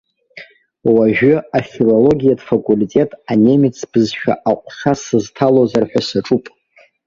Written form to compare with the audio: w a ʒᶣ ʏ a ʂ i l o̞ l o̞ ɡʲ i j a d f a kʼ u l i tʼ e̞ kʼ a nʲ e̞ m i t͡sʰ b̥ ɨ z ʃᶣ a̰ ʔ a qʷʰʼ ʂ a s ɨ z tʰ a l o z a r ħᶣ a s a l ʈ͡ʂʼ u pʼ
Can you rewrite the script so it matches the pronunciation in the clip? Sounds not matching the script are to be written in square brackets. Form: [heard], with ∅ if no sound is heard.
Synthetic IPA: w a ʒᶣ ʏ a [f] i l o̞ l o̞ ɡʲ i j a d f a kʼ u l i tʼ e̞ [tʼ] a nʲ e̞ m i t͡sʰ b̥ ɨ z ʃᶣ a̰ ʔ a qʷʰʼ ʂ a s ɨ z tʰ a l o z a r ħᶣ a s a [∅] ʈ͡ʂʼ u pʼ